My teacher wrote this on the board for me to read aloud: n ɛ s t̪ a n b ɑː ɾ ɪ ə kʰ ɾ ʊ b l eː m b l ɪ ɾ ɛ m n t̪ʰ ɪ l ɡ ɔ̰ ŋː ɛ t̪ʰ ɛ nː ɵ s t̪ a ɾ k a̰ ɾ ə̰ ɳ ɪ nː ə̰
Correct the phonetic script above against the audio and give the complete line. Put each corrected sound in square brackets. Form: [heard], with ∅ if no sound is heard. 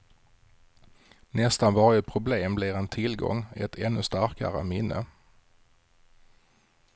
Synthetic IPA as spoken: n ɛ s t̪ a n [v] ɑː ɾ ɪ ə [pʰ] ɾ ʊ b l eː m b l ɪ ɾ ɛ [∅] n t̪ʰ ɪ l ɡ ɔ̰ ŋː ɛ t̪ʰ ɛ nː ɵ s t̪ a ɾ k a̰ ɾ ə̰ [m] ɪ nː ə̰

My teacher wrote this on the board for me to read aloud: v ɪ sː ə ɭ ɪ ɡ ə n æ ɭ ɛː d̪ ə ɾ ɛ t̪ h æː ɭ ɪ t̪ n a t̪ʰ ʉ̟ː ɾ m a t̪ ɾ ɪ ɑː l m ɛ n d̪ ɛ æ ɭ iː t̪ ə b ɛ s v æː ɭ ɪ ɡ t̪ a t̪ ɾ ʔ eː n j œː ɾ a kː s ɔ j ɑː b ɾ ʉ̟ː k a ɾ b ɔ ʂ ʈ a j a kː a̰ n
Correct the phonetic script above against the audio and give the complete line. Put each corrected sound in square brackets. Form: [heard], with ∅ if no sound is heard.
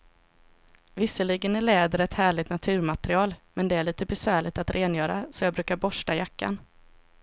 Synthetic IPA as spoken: v ɪ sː ə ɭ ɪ ɡ ə n æ ɭ ɛː d̪ ə ɾ ɛ t̪ h æː ɭ ɪ t̪ n a t̪ʰ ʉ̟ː ɾ m a t̪ ɾ ɪ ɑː l m ɛ n d̪ ɛ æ ɭ iː t̪ ə b ɛ s v æː ɭ ɪ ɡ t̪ a t̪ ɾ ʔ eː n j œː ɾ a [∅] s ɔ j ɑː b ɾ ʉ̟ː k a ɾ b ɔ ʂ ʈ a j a kː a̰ n

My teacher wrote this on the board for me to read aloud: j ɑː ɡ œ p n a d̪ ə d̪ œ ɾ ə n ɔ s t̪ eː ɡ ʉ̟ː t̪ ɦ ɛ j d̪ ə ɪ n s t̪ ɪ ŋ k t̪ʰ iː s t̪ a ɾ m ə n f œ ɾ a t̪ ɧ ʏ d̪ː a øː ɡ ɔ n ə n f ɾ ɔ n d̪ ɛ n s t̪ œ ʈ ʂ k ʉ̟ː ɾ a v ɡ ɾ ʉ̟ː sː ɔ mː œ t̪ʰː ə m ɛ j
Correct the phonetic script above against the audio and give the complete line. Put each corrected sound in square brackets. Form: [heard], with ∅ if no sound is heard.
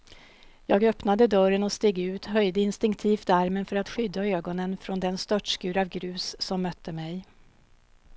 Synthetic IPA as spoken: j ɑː ɡ œ p n a d̪ ə d̪ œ ɾ ə n ɔ s t̪ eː ɡ ʉ̟ː t̪ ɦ [œ] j d̪ ə ɪ n s t̪ ɪ ŋ k t̪ʰ iː [f] t̪ a ɾ m ə n f œ ɾ a t̪ ɧ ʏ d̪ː a øː ɡ ɔ n ə n f ɾ ɔ n d̪ ɛ n s t̪ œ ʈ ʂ k ʉ̟ː ɾ a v ɡ ɾ ʉ̟ː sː ɔ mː œ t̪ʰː ə m ɛ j

